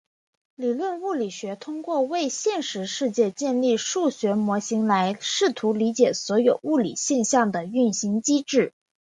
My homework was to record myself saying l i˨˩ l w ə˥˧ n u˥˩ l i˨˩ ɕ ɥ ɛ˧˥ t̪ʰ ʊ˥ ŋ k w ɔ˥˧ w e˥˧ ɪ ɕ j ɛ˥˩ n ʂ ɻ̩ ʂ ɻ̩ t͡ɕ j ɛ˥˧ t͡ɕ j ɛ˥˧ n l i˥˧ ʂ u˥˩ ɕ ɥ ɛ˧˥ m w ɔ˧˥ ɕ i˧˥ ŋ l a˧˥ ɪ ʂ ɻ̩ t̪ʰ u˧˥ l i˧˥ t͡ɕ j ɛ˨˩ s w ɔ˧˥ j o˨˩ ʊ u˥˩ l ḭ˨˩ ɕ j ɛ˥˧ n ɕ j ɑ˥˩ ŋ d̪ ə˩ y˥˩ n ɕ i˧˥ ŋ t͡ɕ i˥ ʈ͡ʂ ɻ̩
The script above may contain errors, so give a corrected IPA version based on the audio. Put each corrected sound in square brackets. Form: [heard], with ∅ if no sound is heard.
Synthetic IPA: l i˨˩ l w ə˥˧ n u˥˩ l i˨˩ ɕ ɥ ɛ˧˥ t̪ʰ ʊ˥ ŋ k w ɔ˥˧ w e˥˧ ɪ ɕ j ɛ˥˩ n ʂ ɻ̩ ʂ ɻ̩ t͡ɕ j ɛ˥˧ t͡ɕ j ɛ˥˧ n l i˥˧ ʂ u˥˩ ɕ ɥ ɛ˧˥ m w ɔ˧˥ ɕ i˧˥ ŋ l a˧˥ ɪ ʂ ɻ̩ t̪ʰ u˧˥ l i˧˥ t͡ɕ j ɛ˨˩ s w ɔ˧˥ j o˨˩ ʊ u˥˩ l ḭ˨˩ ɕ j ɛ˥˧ n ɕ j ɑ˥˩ ŋ d̪ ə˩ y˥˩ n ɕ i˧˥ ŋ t͡ɕ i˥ ʈ͡ʂ ɻ̩